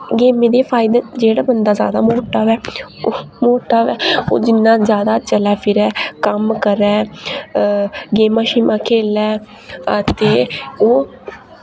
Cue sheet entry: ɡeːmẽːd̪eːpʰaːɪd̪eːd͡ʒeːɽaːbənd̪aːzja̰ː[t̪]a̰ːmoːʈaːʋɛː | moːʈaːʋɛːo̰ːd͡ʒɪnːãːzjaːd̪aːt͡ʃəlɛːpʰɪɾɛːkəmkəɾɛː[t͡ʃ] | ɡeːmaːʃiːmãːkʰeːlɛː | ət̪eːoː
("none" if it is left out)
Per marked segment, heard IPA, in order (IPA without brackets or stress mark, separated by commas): d̪, none